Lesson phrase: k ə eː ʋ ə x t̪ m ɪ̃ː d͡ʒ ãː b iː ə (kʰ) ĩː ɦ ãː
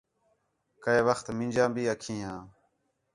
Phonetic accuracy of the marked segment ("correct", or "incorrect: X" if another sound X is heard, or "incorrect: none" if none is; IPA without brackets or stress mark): correct